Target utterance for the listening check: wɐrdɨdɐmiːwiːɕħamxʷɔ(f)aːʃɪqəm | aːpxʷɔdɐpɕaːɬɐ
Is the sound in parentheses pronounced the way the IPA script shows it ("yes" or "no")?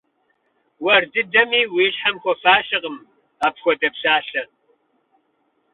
yes